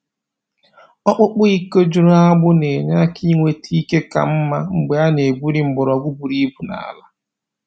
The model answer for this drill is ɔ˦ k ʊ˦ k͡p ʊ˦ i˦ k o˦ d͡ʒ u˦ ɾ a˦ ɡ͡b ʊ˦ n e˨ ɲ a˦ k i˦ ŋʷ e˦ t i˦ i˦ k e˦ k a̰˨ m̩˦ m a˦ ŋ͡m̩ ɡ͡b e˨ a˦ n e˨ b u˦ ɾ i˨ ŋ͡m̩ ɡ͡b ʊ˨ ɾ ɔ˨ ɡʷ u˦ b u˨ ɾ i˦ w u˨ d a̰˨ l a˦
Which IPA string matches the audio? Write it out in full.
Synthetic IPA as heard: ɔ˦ k͡p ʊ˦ k͡p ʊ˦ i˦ k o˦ d͡ʒ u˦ ɾ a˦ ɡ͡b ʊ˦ n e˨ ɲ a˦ k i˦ ŋʷ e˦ t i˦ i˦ k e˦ k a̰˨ m̩˦ m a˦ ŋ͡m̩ ɡ͡b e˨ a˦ n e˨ b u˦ ɾ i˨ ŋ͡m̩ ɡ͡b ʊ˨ ɾ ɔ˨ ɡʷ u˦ b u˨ ɾ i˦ b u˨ n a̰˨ l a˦